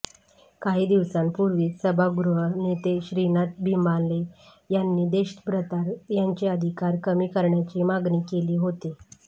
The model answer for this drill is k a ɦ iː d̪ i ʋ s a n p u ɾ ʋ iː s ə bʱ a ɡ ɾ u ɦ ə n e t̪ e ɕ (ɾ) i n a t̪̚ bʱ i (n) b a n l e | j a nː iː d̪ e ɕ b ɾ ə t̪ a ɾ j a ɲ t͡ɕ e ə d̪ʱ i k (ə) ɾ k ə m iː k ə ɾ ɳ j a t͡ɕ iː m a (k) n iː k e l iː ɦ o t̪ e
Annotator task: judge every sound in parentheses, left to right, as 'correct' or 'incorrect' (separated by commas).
correct, incorrect, incorrect, incorrect